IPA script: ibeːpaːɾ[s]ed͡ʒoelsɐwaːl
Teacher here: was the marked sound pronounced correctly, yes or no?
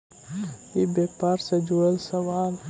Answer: yes